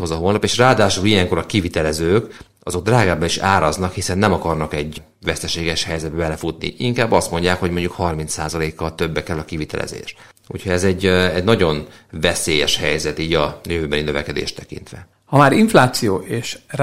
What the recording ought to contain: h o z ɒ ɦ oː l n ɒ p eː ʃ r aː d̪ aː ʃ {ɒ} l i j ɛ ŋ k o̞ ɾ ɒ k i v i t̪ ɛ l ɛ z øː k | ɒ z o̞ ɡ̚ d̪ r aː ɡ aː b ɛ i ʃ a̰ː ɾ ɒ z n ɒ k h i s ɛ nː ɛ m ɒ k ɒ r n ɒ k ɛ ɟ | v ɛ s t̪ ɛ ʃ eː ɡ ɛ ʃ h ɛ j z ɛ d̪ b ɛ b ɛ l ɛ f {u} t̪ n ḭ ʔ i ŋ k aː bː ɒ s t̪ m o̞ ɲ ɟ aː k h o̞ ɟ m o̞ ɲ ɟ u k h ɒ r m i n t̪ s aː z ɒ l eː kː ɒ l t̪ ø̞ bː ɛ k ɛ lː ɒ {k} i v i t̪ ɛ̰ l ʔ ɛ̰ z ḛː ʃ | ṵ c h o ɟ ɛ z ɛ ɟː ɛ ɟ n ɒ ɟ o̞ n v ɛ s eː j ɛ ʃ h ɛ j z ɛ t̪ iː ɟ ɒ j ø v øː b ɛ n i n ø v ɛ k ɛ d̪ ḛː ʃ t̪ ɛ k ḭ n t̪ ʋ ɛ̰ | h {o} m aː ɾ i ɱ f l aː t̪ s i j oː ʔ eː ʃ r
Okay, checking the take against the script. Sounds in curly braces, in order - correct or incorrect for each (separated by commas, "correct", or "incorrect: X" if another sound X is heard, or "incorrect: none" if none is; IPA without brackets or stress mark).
incorrect: u, correct, correct, incorrect: ɒ